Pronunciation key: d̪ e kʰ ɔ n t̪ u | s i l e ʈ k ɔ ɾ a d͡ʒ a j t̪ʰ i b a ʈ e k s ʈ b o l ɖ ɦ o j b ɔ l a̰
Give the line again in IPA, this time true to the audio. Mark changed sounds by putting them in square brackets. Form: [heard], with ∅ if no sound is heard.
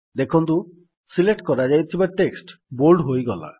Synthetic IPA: d̪ e kʰ ɔ n t̪ u | s i l e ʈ k ɔ ɾ a d͡ʒ a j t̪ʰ i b a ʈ e k s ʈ b o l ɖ ɦ o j [ɡ] ɔ l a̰